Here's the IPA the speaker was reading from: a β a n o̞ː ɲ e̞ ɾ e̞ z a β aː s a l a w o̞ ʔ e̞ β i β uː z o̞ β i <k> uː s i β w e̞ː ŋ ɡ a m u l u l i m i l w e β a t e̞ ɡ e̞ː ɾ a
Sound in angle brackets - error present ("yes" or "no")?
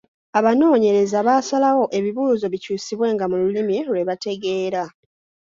yes